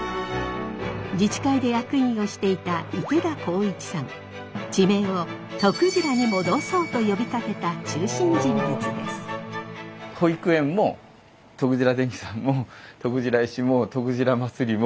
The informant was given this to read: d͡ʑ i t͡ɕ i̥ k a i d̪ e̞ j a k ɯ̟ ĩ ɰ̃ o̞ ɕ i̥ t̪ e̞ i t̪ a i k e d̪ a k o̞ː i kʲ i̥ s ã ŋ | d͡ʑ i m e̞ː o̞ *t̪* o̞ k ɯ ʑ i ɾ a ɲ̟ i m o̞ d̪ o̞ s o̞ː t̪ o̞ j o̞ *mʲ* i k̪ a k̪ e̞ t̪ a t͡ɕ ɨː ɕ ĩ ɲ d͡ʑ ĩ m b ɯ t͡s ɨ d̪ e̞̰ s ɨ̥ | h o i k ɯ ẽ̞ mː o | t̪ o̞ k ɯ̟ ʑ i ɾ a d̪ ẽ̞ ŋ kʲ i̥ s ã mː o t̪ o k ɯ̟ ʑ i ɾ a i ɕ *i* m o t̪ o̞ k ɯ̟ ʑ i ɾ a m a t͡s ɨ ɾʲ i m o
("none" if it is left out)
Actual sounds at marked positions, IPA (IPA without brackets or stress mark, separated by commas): t̪, bʲ, i